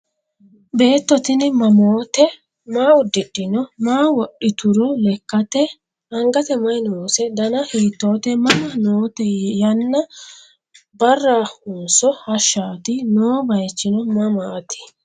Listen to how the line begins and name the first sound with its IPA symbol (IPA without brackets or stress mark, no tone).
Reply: b